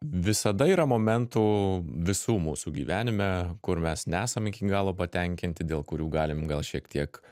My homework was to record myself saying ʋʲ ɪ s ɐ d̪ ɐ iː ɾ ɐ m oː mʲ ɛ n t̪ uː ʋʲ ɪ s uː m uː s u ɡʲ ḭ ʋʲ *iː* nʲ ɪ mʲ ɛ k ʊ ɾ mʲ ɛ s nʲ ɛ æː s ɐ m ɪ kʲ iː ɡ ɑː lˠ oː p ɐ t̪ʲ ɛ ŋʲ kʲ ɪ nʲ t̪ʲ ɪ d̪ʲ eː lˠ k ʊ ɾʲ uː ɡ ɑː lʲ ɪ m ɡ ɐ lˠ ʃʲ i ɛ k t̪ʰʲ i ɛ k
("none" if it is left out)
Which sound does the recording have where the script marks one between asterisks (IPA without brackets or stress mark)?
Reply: æː